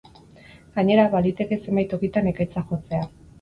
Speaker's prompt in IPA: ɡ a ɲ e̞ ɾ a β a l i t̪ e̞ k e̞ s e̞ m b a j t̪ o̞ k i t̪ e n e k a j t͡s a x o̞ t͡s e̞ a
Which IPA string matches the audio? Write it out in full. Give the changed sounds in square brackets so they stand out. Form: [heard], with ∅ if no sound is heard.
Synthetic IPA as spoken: ɡ a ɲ e̞ ɾ a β a l i t̪ e̞ k e̞ s e̞ m b a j t̪ o̞ k i t̪ [a] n e k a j t͡s a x o̞ t͡s e̞ a